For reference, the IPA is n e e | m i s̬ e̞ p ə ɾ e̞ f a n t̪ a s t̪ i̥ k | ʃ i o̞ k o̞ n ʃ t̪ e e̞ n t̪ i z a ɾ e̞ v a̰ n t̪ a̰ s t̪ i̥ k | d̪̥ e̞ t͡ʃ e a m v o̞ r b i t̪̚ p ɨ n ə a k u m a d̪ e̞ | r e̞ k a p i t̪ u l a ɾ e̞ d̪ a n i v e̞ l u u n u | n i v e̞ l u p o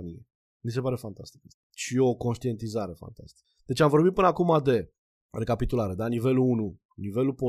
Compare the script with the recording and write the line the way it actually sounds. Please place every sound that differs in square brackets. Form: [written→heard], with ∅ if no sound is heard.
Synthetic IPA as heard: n [e→i] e | m i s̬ e̞ p [ə→a] ɾ e̞ f a n t̪ a s t̪ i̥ k | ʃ i o̞ k o̞ n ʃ t̪ [e→i] e̞ n t̪ i z a ɾ e̞ [v→f] a̰ n t̪ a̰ s t̪ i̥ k | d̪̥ e̞ t͡ʃ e a m v o̞ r b i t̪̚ p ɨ n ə a k u m a d̪ e̞ | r e̞ k a p i t̪ u l a ɾ e̞ d̪ a n i v e̞ l u u n u | n i v e̞ l u p o